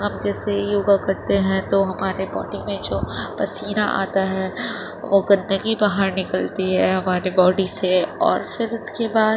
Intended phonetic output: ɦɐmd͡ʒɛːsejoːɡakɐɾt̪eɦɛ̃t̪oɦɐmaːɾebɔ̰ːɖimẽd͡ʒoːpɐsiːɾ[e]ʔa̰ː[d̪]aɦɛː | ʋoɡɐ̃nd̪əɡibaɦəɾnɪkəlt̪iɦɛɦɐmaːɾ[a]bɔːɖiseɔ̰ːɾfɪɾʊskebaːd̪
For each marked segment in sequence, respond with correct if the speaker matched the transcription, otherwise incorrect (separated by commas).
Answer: incorrect, incorrect, incorrect